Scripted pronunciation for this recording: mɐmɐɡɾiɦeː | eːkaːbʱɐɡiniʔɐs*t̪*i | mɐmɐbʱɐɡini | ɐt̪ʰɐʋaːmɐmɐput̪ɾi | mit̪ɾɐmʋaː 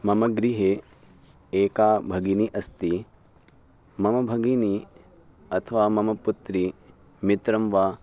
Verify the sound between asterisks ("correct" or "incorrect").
correct